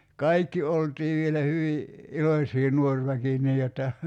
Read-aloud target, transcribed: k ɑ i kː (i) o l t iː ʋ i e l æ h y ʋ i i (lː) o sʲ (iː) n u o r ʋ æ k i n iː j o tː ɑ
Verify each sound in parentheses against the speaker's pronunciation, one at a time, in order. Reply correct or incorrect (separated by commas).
correct, incorrect, correct